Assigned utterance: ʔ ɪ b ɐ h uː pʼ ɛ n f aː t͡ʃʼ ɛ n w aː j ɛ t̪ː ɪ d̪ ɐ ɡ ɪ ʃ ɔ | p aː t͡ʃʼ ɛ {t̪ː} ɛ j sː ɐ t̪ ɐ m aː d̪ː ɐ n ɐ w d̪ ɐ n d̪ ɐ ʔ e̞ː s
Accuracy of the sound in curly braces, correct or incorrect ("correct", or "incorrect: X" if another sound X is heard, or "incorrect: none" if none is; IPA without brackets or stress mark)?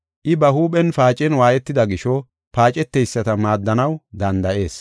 correct